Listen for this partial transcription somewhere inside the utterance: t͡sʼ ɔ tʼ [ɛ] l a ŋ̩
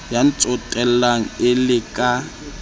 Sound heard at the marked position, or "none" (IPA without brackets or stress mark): ɛ